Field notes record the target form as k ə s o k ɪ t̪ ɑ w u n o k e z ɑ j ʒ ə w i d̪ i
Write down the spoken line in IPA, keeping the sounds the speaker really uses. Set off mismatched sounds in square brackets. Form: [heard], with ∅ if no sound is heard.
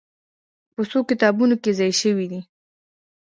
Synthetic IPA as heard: [p] ə s o k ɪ t̪ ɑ [b] u n o k e z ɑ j [ʃ] ə w i d̪ i